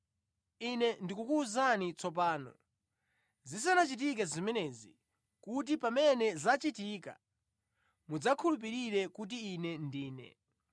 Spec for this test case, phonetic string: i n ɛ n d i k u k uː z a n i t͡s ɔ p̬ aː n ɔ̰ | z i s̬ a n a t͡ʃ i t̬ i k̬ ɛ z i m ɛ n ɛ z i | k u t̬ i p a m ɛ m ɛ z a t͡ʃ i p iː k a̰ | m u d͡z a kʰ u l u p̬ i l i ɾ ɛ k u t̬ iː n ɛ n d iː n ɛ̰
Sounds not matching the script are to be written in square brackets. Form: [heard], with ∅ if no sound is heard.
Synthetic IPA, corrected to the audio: i n ɛ n d i k u k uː z a n i t͡s ɔ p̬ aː n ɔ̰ | z i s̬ a n a t͡ʃ i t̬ i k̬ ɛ z i m ɛ n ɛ z i | k u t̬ i p a m ɛ [n] ɛ z a t͡ʃ i [t] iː k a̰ | m u d͡z a kʰ u l u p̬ i [ɾ] i ɾ ɛ k u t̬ iː n ɛ n d iː n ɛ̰